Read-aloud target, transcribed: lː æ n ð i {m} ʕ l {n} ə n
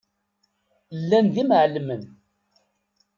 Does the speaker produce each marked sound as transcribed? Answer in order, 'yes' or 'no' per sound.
yes, no

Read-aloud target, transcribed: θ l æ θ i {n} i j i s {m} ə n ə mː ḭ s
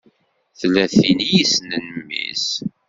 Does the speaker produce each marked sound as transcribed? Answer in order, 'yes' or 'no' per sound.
yes, no

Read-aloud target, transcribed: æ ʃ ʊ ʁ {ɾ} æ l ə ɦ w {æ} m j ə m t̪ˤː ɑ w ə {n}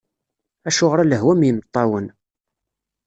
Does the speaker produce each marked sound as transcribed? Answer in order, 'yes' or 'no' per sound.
yes, yes, yes

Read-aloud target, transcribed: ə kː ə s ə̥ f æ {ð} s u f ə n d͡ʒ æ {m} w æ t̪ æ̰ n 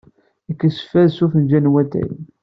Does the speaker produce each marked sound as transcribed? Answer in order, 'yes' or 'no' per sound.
yes, no

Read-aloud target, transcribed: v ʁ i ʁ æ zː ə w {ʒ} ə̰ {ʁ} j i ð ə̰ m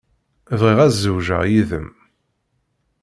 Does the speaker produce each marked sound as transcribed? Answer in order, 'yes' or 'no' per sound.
yes, yes

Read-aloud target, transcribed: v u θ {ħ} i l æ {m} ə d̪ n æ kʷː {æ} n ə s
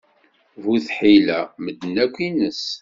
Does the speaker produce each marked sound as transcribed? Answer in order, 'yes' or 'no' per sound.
yes, yes, no

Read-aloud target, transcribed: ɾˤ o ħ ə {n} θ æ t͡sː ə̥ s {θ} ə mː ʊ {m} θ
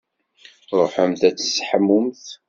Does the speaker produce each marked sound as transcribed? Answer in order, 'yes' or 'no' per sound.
no, no, yes

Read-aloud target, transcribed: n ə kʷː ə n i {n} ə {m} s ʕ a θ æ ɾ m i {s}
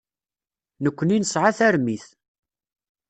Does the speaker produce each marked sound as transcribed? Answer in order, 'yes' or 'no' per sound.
yes, no, no

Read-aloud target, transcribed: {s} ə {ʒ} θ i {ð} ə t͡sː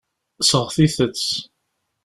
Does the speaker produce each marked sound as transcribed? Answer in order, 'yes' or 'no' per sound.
yes, no, no

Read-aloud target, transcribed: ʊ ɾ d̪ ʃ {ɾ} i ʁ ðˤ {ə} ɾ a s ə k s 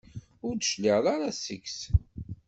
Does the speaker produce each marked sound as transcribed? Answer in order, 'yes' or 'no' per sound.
no, no

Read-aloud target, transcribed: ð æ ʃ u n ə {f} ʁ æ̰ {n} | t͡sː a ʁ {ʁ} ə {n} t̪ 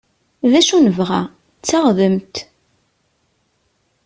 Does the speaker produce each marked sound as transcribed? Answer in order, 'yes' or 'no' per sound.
no, no, no, no

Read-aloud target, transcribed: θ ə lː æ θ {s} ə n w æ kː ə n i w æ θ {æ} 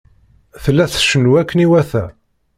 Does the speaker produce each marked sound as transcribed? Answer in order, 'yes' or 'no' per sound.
no, yes

